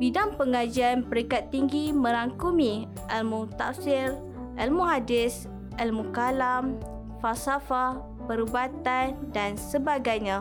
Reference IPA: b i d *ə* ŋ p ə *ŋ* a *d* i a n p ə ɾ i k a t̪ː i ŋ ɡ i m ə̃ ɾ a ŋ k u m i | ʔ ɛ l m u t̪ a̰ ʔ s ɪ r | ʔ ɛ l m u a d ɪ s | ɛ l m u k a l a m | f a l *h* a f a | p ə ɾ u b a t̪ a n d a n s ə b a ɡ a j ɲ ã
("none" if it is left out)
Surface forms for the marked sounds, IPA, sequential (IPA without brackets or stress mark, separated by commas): a, ŋ, d͡ʒ, s